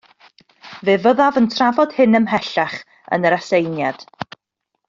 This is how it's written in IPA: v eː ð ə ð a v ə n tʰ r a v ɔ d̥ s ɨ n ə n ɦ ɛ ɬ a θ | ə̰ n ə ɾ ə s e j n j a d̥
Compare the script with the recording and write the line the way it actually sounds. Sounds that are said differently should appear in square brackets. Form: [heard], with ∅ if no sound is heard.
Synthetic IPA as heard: v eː [v] ə ð a v ə n tʰ r a v ɔ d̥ [h] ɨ n ə [m] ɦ ɛ ɬ a [χ] | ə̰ n ə ɾ [a] s e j n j a d̥